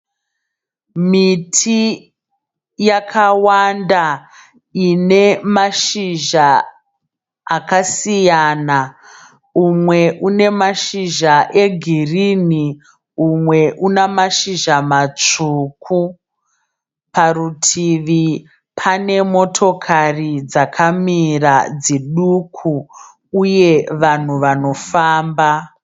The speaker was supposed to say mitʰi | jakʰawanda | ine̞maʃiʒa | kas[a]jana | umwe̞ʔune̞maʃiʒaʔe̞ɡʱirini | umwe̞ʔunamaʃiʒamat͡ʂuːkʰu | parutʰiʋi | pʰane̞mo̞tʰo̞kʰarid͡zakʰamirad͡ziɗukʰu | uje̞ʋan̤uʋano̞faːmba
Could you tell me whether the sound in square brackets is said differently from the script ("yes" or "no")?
yes